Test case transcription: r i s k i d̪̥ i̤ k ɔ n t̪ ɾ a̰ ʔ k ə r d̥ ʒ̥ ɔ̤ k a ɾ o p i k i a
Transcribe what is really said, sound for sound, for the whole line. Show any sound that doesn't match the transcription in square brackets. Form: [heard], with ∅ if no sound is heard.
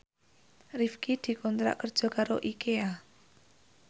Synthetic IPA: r i [f] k i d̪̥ i̤ k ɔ n t̪ ɾ a̰ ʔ k ə r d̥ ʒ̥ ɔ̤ k a ɾ o [ʔ] i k [e] a